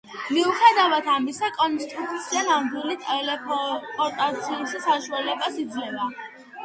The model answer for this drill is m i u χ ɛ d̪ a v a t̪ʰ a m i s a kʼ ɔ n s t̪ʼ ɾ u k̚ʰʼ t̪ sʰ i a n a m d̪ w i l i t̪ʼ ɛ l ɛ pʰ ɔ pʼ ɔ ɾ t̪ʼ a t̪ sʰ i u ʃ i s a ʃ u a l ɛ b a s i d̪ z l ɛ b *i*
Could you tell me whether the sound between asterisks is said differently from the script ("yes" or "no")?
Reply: yes